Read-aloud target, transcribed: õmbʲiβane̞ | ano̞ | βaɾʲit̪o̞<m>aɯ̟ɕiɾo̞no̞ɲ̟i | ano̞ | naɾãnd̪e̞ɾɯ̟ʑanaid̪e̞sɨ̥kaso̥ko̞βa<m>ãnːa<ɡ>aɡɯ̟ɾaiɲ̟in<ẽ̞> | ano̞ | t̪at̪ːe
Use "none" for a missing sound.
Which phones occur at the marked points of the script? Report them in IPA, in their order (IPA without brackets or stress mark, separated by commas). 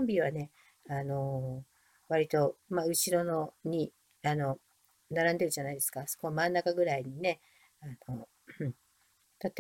m, m, k, e̞